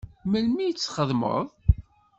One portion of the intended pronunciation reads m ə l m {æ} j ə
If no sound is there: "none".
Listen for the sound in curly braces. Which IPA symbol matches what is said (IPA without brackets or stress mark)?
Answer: i